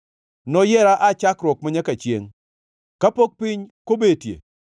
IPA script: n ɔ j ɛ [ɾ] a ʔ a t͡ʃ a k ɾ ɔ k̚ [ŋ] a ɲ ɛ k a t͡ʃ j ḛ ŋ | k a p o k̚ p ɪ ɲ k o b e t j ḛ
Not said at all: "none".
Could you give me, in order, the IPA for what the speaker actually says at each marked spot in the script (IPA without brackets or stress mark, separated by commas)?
ɾ, m